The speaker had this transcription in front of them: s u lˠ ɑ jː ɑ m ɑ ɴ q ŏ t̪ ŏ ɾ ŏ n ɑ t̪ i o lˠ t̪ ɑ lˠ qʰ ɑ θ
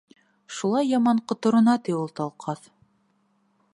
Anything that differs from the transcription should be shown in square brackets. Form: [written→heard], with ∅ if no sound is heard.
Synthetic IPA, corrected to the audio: [s→ʃ] u lˠ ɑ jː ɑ m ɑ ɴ q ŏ t̪ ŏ ɾ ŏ n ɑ t̪ i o lˠ t̪ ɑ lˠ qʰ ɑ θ